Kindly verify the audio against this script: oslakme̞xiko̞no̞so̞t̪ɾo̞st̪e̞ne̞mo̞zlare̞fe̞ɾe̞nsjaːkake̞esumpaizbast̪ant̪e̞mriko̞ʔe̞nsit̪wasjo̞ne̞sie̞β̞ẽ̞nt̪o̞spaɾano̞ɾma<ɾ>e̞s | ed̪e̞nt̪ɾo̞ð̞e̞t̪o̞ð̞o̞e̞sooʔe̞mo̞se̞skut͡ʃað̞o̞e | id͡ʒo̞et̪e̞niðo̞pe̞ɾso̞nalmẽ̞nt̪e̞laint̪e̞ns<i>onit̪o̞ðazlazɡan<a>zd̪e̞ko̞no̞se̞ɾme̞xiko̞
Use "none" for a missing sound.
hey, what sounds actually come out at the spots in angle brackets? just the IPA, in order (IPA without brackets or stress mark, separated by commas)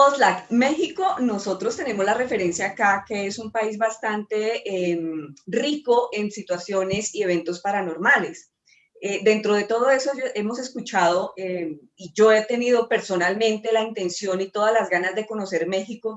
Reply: l, j, a